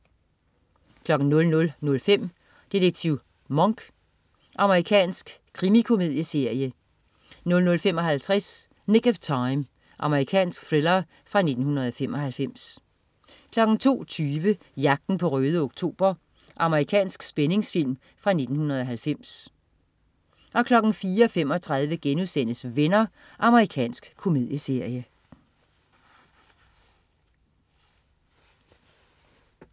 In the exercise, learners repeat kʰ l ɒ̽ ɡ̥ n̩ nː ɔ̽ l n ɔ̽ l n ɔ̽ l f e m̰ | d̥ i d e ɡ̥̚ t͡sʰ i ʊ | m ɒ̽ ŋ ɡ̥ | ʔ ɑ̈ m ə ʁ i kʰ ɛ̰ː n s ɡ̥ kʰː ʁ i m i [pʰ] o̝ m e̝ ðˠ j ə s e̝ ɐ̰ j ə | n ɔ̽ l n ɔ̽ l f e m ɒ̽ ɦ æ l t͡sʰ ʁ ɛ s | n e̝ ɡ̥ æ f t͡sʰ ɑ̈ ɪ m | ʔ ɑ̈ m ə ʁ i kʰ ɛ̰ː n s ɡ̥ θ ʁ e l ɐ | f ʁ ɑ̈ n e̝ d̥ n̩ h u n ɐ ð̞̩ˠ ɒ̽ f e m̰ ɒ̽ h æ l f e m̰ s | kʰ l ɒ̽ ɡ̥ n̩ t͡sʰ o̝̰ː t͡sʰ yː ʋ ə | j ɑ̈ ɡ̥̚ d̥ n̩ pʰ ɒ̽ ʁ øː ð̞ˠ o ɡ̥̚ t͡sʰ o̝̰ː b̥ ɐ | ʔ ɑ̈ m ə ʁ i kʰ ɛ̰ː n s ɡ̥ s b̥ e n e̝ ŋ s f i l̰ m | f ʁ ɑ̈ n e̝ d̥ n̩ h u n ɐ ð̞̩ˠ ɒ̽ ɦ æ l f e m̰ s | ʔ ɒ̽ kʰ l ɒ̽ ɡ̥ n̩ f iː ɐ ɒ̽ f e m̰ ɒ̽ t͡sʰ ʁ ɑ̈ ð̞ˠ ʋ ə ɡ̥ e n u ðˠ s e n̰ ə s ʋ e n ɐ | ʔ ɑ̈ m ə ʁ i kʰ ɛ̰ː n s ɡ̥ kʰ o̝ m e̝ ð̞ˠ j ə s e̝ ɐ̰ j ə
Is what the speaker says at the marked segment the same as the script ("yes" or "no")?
no